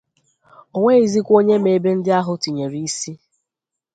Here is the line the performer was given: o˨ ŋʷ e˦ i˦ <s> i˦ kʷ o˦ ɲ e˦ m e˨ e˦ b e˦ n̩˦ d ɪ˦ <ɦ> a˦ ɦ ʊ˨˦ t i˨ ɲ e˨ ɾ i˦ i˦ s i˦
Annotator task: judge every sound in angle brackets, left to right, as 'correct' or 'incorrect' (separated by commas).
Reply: incorrect, incorrect